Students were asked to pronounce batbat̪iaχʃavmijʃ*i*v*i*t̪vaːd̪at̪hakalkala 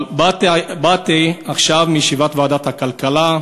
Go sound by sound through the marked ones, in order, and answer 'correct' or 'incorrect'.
correct, incorrect

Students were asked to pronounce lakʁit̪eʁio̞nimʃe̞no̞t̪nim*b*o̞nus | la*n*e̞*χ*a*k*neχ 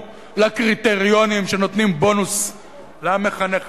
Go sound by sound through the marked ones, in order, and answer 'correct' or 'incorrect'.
correct, incorrect, correct, incorrect

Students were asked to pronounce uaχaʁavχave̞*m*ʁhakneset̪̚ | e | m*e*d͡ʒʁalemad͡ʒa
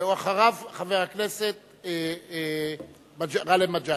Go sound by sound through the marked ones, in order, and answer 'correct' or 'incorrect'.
incorrect, incorrect

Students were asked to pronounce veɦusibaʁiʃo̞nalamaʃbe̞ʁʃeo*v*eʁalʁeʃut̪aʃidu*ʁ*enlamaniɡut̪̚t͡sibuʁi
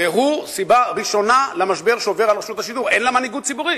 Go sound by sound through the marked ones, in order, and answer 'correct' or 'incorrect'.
correct, correct

